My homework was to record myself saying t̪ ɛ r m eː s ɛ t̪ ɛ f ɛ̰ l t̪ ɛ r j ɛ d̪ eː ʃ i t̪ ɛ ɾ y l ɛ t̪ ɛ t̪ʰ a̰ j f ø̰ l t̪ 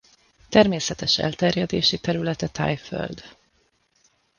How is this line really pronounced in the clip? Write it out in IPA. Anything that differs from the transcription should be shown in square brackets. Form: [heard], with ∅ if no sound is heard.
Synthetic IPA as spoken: t̪ ɛ r m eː s ɛ t̪ ɛ [ʃ] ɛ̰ l t̪ ɛ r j ɛ d̪ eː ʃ i t̪ ɛ ɾ y l ɛ t̪ ɛ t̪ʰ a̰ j f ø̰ l [d̪]